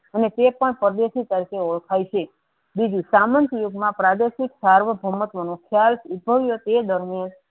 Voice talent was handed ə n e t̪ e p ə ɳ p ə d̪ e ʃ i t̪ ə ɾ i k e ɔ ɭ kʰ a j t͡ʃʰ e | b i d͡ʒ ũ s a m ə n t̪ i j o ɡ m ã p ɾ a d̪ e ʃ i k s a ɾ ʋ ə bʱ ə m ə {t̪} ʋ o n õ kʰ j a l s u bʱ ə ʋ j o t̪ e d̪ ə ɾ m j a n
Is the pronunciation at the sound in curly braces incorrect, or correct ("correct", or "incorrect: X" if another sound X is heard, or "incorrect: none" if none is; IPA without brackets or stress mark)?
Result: correct